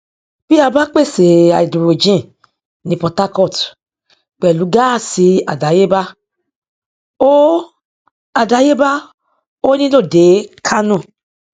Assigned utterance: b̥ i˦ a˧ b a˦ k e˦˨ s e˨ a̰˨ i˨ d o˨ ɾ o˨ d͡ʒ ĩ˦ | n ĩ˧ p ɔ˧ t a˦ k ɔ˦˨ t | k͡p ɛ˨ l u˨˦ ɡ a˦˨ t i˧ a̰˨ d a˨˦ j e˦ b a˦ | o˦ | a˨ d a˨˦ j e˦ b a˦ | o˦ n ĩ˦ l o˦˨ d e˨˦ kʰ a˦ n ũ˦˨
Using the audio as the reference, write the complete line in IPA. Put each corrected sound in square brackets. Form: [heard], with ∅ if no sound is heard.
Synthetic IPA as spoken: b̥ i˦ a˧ b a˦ [k͡p] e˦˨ s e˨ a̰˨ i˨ d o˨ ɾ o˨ d͡ʒ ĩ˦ | n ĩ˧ p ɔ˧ t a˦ k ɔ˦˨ t | k͡p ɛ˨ l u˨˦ ɡ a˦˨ [s] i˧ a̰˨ d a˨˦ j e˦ b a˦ | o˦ | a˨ d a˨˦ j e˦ b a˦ | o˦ n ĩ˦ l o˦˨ d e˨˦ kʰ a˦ n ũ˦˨